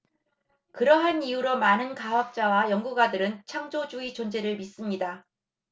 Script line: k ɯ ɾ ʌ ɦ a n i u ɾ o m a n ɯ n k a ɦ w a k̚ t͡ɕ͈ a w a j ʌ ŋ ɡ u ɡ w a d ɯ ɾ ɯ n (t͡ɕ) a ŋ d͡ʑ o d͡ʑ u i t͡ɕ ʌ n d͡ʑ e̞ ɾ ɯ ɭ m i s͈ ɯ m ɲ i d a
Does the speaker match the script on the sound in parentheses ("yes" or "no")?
no